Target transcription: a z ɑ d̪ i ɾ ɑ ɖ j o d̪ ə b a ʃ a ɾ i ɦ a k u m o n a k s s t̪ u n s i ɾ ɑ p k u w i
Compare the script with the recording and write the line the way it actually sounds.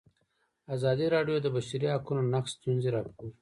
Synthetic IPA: a z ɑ d̪ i ɾ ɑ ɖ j o d̪ ə b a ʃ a ɾ i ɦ a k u n o n a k s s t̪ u n z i ɾ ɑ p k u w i